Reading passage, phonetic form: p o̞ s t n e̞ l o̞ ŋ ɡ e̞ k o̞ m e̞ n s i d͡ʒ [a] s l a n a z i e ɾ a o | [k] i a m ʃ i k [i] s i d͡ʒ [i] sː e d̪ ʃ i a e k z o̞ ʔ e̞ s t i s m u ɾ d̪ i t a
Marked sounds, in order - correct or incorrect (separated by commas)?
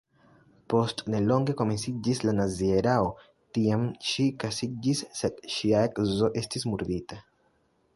incorrect, incorrect, incorrect, correct